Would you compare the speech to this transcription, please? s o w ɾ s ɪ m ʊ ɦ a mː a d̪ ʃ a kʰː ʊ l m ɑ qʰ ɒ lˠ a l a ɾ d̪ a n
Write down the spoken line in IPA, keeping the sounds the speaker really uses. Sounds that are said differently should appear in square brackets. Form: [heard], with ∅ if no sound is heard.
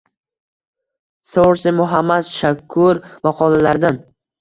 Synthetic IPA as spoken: s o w ɾ s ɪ m ʊ ɦ a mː a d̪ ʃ a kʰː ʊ [ɾ] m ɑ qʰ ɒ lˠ a l a ɾ d̪ a n